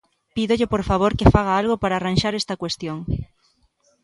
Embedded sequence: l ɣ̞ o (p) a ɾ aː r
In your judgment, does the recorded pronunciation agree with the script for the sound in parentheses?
yes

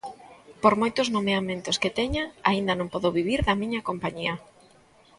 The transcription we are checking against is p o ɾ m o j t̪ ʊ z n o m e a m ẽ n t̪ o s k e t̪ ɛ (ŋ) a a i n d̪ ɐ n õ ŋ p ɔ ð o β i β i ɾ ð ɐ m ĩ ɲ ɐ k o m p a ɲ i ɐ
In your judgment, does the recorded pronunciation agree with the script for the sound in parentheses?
no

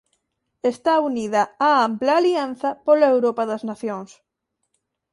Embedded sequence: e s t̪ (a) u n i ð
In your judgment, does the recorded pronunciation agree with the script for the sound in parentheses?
yes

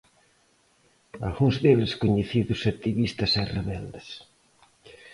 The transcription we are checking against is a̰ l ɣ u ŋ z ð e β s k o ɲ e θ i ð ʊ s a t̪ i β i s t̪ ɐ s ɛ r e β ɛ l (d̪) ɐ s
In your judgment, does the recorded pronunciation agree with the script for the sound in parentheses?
yes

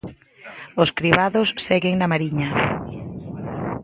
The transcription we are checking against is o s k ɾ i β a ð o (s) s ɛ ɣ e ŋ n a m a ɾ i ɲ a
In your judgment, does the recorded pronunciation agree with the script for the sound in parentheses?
yes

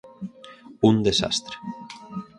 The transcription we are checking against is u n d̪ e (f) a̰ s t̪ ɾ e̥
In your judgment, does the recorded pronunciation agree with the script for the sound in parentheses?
no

